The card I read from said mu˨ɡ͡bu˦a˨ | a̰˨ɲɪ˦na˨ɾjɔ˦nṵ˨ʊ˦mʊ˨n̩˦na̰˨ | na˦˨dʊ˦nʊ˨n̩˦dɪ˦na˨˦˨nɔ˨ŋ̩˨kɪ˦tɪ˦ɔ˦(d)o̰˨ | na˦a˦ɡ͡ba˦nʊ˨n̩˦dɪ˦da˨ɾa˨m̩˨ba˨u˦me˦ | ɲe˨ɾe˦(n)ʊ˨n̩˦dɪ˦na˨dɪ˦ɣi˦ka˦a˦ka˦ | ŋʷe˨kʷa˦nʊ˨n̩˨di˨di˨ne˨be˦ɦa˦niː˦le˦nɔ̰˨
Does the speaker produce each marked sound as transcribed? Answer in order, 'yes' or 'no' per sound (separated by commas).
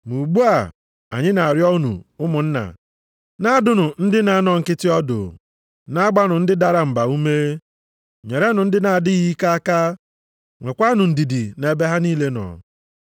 yes, yes